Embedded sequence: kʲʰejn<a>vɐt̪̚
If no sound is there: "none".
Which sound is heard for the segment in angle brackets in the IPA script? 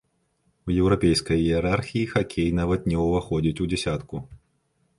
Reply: a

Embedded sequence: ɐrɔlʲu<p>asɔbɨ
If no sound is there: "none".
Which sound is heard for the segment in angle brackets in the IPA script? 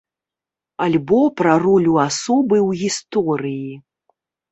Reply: none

